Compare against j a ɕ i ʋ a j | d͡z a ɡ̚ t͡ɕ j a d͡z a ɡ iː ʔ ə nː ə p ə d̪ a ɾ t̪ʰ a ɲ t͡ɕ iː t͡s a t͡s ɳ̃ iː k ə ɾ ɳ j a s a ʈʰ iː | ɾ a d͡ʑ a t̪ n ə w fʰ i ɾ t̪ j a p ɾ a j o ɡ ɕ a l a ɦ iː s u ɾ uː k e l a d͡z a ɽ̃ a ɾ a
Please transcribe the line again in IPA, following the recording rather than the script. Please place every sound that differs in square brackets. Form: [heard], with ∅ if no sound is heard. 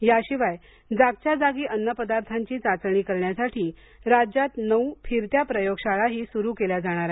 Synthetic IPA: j a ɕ i ʋ a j | d͡z a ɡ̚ t͡ɕ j a d͡z a ɡ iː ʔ ə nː ə p ə d̪ a ɾ t̪ʰ a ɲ t͡ɕ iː t͡s a t͡s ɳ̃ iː k ə ɾ ɳ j a s a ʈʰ iː | ɾ a d͡ʑ a t̪ n ə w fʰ i ɾ t̪ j a p ɾ [ə] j o ɡ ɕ a [ɭ] a ɦ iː s u ɾ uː k e l a d͡z a ɽ̃ a ɾ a